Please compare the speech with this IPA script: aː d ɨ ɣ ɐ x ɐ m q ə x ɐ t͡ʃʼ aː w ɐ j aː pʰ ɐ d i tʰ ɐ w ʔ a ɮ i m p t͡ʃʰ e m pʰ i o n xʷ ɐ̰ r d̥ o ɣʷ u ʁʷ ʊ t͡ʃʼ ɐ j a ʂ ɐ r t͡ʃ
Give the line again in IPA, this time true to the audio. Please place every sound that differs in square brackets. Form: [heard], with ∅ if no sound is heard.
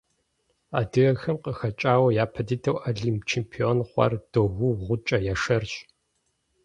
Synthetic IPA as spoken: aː d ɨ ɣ ɐ x ɐ m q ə x ɐ t͡ʃʼ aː w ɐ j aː pʰ ɐ d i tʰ ɐ w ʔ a ɮ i m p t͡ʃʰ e m pʰ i o n [χʷ] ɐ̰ r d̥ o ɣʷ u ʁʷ ʊ t͡ʃʼ ɐ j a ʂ ɐ r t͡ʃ